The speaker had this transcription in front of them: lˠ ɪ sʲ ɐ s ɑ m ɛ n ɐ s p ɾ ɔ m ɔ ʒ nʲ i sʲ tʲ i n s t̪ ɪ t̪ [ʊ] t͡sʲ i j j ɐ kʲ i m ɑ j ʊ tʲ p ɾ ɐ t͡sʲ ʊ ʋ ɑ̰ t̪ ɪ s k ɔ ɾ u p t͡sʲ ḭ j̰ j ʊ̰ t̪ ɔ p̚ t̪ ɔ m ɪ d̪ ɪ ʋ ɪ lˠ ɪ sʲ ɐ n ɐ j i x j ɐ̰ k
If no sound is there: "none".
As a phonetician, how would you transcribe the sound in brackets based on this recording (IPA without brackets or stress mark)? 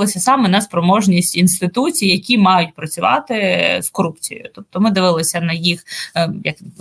u